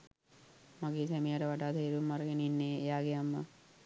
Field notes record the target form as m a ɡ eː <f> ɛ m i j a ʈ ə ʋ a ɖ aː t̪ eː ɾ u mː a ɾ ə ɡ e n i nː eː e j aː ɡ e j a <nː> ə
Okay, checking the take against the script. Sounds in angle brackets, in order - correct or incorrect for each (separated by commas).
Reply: incorrect, incorrect